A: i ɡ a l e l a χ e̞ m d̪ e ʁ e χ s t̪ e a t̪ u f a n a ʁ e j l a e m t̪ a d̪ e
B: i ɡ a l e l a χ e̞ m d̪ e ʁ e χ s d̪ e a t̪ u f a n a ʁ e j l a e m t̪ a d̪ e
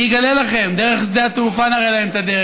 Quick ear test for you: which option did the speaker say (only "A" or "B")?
B